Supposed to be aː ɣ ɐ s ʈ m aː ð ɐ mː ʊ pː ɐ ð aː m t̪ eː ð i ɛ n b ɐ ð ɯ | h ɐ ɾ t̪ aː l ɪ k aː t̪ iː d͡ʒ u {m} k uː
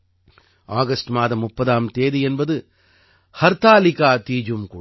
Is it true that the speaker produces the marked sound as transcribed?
yes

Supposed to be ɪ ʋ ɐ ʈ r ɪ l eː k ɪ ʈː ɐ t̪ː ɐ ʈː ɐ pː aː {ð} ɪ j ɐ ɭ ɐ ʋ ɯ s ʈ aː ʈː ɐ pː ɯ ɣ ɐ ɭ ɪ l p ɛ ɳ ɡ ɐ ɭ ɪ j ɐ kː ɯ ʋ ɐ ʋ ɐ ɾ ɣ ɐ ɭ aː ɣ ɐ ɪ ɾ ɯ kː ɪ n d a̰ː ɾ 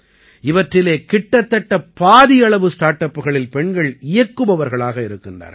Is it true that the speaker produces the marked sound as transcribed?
yes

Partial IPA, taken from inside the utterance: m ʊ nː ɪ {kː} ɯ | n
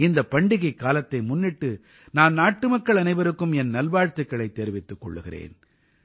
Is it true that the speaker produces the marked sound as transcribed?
no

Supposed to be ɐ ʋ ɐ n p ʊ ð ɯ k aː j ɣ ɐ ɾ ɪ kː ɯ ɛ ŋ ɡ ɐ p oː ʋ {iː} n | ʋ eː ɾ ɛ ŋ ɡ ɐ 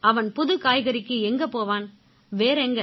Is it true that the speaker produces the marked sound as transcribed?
no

